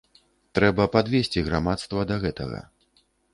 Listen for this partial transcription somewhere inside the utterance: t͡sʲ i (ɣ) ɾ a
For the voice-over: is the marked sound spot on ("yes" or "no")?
yes